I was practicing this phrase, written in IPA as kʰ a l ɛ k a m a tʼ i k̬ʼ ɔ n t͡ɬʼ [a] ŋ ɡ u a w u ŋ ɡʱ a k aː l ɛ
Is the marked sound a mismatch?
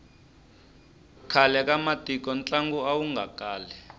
no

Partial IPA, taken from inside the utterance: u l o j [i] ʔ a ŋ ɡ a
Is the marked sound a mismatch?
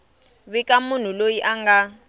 no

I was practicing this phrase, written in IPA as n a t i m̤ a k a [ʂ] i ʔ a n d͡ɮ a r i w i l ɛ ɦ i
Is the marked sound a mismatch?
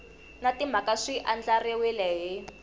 no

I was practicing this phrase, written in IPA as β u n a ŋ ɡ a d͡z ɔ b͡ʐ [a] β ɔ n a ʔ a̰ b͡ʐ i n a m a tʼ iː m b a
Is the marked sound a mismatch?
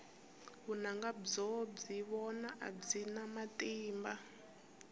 yes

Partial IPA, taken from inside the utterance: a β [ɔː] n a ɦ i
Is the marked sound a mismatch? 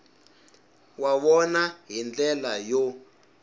yes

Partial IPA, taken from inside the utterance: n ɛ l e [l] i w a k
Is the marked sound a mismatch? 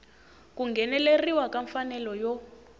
yes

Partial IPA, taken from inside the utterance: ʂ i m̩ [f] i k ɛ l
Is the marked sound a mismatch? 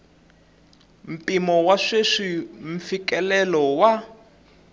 no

